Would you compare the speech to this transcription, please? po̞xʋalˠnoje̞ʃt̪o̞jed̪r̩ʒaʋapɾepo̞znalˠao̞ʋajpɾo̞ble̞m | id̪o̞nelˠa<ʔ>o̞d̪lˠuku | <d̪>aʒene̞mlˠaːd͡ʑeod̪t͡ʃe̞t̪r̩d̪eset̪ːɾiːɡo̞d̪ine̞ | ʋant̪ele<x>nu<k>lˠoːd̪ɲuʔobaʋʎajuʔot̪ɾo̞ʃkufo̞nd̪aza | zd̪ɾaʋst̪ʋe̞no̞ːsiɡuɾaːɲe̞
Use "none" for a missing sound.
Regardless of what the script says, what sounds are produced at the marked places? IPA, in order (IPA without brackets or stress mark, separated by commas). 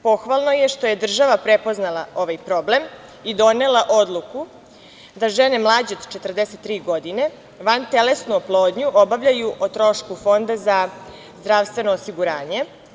ʔ, d̪, s, p